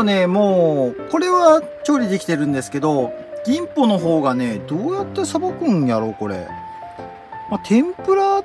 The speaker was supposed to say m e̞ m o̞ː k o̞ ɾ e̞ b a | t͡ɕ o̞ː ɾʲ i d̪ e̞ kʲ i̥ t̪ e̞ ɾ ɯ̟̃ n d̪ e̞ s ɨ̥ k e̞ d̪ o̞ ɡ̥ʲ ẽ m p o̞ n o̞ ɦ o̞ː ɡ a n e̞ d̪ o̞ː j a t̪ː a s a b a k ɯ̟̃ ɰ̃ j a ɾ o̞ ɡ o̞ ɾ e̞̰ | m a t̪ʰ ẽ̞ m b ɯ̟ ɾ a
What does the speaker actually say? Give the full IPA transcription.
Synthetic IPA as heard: n e̞ m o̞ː k o̞ ɾ e̞ β a | t͡ɕ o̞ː ɾʲ i d̪ e̞ kʲ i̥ t̪ e̞ ɾ ɯ̟̃ n d̪ e̞ s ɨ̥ k e̞ d̪ o̞ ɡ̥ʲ ĩ m p o̞ n o̞ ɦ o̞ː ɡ a n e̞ d̪ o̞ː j a t̪ː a s a b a k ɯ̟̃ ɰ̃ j a ɾ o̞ k o̞ ɾ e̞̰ | m a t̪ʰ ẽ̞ m p ɯ̟ ɾ a